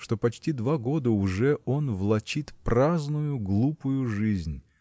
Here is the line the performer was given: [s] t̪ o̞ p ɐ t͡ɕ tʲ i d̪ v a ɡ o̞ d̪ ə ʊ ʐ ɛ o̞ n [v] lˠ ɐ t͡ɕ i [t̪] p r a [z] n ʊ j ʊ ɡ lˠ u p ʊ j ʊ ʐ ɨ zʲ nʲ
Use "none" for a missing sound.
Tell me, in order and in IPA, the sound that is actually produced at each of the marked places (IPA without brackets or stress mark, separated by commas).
ʂ, v, t̪, z